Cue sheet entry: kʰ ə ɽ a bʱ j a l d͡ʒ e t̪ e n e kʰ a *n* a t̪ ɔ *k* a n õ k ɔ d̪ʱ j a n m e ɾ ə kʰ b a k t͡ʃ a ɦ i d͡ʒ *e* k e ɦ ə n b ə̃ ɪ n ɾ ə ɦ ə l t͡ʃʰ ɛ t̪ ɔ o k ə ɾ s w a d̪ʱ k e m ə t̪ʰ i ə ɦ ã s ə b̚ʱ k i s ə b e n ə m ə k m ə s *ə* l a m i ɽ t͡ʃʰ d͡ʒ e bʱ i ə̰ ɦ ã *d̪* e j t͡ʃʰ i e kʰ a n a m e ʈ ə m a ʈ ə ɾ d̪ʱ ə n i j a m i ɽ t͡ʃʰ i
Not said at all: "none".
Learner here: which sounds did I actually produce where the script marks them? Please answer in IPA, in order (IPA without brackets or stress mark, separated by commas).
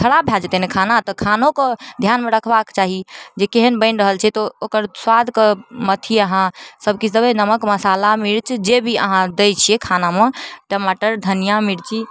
n, kʰ, e, a, d̪